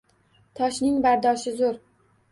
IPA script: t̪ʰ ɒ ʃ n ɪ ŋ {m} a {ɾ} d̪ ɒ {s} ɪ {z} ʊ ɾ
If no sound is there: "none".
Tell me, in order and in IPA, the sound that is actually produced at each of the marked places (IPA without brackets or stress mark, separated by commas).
b, ɾ, ʃ, z